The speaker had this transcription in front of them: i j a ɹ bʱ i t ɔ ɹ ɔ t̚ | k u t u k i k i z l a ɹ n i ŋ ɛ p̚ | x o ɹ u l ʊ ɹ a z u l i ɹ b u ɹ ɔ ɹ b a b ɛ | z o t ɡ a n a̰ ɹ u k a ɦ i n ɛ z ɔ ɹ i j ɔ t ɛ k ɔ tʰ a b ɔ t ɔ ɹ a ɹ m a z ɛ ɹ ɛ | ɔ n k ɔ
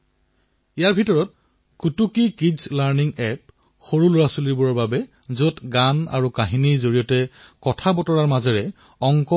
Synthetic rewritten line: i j a ɹ bʱ i t ɔ ɹ ɔ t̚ | k u t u k i k i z l a ɹ n i ŋ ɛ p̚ | x o ɹ u l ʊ ɹ a s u l i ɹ b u ɹ ɔ ɹ b a b ɛ | z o t ɡ a n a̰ ɹ u k a ɦ i n i z o ɹ i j ɔ t ɛ k ɔ tʰ a b ɔ t ɔ ɹ a ɹ m a z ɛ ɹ ɛ | ɔ ŋ k ɔ